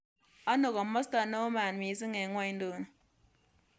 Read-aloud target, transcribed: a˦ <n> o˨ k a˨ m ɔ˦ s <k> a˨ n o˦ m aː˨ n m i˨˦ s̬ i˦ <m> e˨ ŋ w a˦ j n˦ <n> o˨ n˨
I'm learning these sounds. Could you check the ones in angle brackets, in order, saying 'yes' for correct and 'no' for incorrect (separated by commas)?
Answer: yes, no, no, no